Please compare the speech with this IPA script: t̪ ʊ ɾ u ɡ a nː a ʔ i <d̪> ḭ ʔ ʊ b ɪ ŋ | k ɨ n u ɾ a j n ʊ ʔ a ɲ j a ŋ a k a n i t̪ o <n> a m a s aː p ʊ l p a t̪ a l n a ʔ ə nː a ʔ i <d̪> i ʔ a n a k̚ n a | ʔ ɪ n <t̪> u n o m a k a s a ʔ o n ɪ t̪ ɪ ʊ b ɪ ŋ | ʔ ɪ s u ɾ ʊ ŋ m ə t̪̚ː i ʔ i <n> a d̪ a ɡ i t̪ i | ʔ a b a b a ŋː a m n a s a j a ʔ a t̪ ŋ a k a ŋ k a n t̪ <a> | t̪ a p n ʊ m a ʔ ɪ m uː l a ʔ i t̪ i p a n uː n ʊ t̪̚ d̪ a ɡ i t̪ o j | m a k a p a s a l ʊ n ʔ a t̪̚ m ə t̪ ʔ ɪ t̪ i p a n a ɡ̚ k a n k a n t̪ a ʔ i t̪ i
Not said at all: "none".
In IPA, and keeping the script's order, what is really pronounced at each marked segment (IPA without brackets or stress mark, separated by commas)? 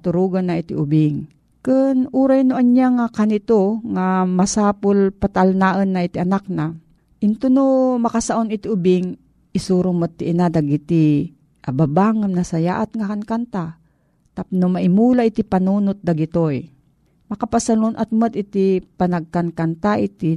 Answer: t̪, ŋ, t̪, t̪, n, a